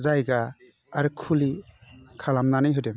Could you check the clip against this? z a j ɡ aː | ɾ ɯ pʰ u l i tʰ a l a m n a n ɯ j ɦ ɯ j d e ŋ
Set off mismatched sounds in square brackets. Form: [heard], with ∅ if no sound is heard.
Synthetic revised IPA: z a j ɡ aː | ɾ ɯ [kʰ] u l i [kʰ] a l a m n a n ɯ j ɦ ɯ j d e [m]

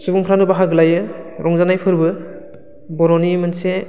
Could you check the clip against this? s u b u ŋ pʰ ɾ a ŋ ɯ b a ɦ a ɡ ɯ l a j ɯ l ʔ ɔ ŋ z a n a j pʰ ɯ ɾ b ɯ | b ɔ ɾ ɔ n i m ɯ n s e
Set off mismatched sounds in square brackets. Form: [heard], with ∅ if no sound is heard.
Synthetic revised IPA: s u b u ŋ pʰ ɾ a [n] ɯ b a ɦ a ɡ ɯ l a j ɯ [ɾ] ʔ ɔ ŋ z a n a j pʰ ɯ ɾ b ɯ | b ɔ ɾ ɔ n i m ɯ n s e

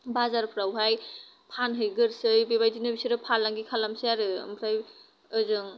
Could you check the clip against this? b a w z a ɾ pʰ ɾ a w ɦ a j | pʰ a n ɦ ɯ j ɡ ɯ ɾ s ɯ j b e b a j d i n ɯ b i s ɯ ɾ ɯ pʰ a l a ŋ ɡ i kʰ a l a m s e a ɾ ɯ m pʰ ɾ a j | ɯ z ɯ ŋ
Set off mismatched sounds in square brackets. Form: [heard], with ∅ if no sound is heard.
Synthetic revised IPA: b a [∅] z a ɾ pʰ ɾ a w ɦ a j | pʰ a n ɦ ɯ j ɡ ɯ ɾ s ɯ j b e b a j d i n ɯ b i s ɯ ɾ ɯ pʰ a l a ŋ ɡ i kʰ a l a m s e a ɾ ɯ m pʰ ɾ a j | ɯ z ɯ ŋ

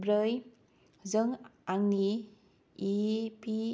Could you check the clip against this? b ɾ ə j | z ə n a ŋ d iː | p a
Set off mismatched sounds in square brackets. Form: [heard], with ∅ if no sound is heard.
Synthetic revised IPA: b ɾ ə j | z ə [ŋ] a ŋ [n] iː | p [i]

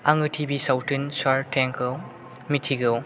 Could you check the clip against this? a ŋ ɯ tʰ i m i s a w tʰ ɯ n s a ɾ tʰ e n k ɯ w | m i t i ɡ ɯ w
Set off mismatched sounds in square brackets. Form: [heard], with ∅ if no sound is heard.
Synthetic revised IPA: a ŋ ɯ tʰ i [b] i s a w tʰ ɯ n s a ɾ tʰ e [ŋ] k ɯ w | m i [tʰ] i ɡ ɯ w

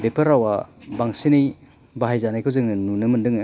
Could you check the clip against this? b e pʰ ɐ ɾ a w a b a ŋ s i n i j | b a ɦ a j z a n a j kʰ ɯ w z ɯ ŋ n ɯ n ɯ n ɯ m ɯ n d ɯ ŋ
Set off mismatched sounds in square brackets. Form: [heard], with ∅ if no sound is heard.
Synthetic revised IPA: b e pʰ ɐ ɾ a w a b a ŋ s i n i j | b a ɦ a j z a n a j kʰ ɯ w z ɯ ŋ n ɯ n [u] n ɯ m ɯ n d ɯ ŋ

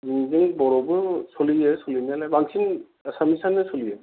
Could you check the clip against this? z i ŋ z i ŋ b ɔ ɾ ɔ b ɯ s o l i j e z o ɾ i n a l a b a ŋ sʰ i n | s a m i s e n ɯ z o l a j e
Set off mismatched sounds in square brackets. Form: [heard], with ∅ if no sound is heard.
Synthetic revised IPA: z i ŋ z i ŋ b ɔ ɾ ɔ b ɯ s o l i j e [s] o [l] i n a l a b a ŋ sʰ i n | s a m i s [a] n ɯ [s] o l [i] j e

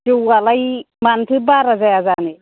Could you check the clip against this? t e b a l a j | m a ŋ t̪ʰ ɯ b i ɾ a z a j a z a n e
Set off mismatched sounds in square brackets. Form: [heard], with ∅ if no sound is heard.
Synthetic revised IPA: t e [w] a l a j | m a [n] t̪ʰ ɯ b [a] ɾ a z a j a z a n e

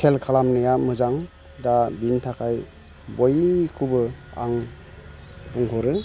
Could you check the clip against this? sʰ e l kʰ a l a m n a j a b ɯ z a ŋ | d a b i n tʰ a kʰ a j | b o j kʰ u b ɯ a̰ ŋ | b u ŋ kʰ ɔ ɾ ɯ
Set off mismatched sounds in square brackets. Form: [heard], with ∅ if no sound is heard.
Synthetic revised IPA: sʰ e l kʰ a l a m n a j a [m] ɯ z a ŋ | d a b i n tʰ a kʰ a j | b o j kʰ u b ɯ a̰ ŋ | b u ŋ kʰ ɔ ɾ ɯ

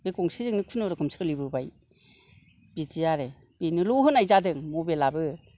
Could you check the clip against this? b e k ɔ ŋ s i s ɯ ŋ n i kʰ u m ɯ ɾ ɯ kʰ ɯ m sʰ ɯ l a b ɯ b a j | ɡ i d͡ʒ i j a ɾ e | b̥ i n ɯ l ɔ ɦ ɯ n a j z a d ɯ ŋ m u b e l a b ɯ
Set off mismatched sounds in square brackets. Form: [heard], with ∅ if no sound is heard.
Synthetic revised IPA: b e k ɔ ŋ s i [z] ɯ ŋ n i kʰ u [n] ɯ ɾ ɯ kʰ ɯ m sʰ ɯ l [i] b ɯ b a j | [b] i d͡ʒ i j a ɾ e | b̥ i n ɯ l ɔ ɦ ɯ n a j z a d ɯ ŋ m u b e l a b ɯ

